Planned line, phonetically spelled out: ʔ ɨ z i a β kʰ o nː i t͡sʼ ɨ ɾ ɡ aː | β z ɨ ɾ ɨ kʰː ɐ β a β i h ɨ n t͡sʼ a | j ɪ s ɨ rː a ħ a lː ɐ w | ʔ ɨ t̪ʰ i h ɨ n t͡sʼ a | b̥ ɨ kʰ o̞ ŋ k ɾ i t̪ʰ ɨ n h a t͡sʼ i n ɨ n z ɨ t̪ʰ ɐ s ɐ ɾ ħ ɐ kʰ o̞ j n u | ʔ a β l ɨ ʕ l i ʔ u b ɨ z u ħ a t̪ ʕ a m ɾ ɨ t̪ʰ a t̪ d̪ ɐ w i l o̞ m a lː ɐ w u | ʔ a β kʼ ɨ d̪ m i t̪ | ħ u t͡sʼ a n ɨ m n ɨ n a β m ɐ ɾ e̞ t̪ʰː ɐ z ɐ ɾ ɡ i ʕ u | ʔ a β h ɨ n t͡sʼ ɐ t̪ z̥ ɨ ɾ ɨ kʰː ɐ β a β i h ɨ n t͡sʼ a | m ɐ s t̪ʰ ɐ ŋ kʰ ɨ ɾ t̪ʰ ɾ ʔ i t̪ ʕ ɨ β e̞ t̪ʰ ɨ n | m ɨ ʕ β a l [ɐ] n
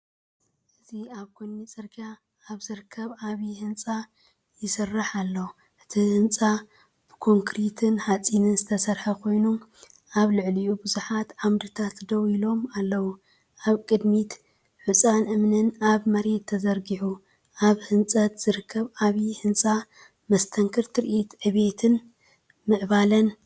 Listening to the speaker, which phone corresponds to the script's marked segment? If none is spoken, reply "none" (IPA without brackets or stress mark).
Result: ɐ